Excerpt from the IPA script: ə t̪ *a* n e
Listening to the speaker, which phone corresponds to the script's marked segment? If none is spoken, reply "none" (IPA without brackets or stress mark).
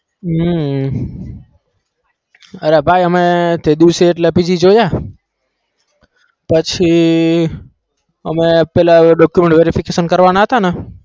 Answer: a